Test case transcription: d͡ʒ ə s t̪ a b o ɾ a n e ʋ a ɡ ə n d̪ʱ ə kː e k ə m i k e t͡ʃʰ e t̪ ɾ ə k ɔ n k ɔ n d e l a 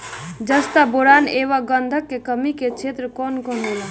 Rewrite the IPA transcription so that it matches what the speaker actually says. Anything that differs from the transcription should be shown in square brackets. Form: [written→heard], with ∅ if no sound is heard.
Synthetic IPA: d͡ʒ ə s t̪ a b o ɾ a n e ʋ a ɡ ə n d̪ʱ ə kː e k ə m i k e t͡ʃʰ e t̪ ɾ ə k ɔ n k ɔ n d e l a